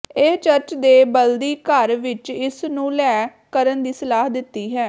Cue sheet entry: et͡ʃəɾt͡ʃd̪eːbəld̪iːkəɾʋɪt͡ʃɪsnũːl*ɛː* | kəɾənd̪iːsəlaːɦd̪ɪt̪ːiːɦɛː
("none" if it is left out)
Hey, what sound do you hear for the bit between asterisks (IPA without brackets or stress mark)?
ɛː